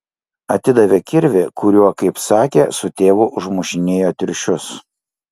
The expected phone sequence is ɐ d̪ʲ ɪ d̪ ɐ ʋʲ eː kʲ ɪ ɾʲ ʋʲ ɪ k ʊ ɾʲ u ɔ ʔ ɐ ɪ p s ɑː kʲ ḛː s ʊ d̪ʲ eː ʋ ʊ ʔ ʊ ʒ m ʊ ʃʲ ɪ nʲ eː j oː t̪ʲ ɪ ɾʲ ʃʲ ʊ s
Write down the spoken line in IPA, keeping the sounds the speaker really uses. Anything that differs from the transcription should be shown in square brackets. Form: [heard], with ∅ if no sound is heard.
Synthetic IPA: ɐ [t̪ʲ] ɪ d̪ ɐ ʋʲ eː kʲ ɪ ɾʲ ʋʲ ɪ k ʊ ɾʲ u ɔ [k] ɐ ɪ p s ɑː kʲ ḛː s ʊ [t̪ʲ] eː ʋ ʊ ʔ ʊ ʒ m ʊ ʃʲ ɪ nʲ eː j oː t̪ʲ ɪ ɾʲ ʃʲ ʊ s